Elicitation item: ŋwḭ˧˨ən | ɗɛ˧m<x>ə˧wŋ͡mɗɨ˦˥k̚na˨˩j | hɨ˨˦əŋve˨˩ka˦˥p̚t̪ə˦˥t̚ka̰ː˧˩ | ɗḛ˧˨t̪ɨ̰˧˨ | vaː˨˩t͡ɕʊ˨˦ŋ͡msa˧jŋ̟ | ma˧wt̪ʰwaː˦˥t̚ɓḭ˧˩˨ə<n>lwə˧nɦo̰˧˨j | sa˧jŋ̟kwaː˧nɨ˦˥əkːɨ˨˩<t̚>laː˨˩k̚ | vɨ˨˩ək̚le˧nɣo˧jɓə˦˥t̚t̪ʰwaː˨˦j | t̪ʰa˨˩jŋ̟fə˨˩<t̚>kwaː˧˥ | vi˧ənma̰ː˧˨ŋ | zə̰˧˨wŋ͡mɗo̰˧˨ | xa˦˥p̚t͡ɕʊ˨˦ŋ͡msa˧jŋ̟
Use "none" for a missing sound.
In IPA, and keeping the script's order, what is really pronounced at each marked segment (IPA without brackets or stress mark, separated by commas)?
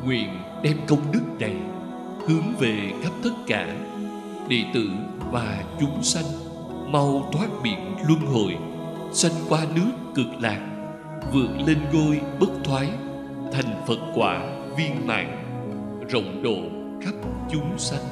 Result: k, n, k̚, t̚